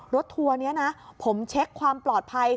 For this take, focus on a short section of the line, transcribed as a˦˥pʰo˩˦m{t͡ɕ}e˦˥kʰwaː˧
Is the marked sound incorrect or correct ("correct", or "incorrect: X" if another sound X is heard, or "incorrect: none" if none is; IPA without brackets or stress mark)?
incorrect: t͡ɕʰ